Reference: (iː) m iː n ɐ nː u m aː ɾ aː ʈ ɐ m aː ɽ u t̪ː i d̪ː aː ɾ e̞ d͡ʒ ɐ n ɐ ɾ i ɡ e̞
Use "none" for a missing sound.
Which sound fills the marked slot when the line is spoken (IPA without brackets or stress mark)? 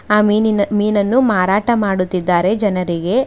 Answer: aː